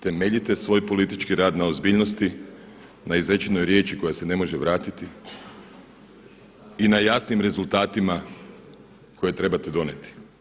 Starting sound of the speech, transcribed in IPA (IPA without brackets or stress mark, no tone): t̪